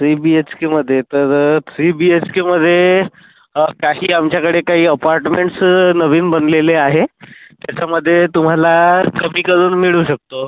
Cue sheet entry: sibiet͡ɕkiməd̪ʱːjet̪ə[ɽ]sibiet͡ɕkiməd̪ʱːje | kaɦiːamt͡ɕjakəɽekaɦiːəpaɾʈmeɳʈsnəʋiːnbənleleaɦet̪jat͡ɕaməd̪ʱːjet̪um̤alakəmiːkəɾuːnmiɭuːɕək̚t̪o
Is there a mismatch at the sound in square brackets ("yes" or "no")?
yes